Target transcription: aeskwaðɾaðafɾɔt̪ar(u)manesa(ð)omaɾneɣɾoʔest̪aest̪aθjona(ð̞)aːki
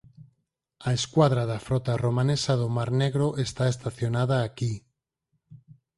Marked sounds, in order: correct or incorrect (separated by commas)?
incorrect, correct, correct